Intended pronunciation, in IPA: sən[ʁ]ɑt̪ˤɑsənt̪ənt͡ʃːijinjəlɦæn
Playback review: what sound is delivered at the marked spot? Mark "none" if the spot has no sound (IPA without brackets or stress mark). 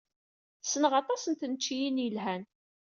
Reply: ʁ